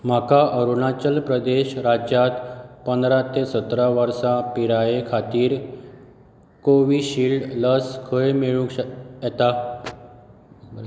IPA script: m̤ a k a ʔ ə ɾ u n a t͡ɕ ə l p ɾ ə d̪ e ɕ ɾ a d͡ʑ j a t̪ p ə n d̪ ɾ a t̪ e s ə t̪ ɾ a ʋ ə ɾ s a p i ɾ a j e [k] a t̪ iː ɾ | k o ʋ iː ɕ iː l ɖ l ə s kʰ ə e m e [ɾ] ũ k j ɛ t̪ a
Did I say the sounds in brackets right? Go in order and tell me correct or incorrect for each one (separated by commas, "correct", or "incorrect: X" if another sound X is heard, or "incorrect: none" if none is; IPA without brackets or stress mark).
incorrect: kʰ, incorrect: ɭ